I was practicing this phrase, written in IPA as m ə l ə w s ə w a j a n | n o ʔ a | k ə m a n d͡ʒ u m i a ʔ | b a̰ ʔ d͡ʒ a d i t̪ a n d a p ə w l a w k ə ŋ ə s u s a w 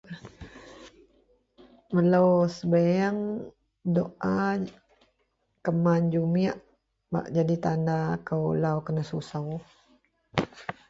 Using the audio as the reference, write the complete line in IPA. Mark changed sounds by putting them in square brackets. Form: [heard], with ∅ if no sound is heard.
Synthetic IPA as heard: m ə l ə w s ə [b] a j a [ŋ] | [d] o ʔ a | k ə m a n d͡ʒ u m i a ʔ | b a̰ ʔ d͡ʒ a d i t̪ a n d a [k] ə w l a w k ə [n] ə s u s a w